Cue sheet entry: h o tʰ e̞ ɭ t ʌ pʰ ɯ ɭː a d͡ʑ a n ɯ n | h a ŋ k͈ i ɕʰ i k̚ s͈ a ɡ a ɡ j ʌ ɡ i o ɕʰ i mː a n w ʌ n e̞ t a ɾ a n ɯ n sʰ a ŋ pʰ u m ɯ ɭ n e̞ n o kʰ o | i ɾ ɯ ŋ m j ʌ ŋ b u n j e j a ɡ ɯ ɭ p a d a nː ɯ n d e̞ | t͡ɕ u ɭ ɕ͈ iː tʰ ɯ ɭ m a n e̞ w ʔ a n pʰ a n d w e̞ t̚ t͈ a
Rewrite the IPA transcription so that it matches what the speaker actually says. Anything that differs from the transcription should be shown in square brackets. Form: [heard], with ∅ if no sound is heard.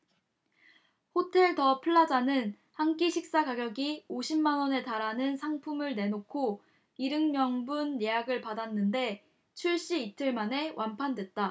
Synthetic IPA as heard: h o tʰ e̞ ɭ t ʌ pʰ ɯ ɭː a d͡ʑ a n ɯ n | h a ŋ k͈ i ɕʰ i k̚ s͈ a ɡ a ɡ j ʌ ɡ i o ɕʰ i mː a n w ʌ n e̞ t a ɾ a n ɯ n sʰ a ŋ pʰ u m ɯ ɭ n e̞ n o kʰ o | i ɾ ɯ ŋ m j ʌ ŋ b u n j e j a ɡ ɯ ɭ p a d a nː ɯ n d e̞ | [t͡ɕʰ] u ɭ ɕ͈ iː tʰ ɯ ɭ m a n e̞ w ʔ a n pʰ a n d w e̞ t̚ t͈ a